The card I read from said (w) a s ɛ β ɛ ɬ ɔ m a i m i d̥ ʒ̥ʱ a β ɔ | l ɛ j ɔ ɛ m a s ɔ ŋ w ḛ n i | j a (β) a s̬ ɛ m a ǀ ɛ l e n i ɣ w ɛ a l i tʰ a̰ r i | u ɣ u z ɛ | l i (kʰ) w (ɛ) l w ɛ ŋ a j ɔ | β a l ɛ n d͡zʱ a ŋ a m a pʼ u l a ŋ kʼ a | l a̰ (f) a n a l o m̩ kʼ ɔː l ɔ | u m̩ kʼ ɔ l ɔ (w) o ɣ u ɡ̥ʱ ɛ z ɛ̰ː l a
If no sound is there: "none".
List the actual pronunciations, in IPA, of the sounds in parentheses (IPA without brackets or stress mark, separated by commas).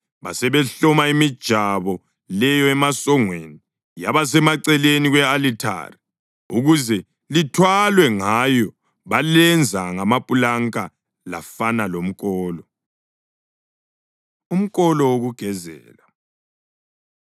β, β, tʰ, a, f, w